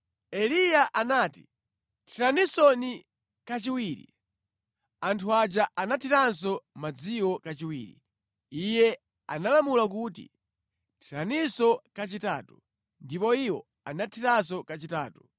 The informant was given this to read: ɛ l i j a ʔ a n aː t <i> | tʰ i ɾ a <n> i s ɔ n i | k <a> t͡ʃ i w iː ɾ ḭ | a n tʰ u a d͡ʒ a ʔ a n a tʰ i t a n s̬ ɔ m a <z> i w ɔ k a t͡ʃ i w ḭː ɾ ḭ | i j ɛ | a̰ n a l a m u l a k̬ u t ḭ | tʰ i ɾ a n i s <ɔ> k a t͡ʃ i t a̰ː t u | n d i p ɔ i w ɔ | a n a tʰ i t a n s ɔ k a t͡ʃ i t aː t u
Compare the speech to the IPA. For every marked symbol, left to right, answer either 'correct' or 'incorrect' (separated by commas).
correct, correct, correct, incorrect, correct